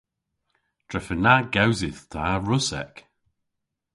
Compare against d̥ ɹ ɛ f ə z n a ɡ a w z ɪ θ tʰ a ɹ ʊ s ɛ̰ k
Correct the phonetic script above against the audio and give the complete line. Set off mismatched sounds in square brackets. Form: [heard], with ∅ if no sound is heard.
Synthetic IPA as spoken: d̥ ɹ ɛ f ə [∅] n a ɡ a w z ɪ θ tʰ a ɹ ʊ s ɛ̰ k